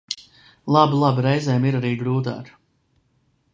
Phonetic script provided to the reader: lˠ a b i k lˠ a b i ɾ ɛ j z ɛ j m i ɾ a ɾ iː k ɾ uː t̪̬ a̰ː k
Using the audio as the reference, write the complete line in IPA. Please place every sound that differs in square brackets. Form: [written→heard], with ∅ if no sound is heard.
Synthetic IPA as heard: lˠ a b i [k→∅] lˠ a b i ɾ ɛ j z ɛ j m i ɾ a ɾ iː [k→ɡ] ɾ uː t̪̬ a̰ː k